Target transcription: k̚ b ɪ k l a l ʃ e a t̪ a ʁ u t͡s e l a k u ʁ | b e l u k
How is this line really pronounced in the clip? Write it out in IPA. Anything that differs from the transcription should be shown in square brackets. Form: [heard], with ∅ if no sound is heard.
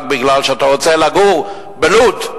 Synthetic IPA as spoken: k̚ b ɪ [ɡ] l a l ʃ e a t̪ a ʁ [o] t͡s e l a [ɡ] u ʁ | b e l u [t]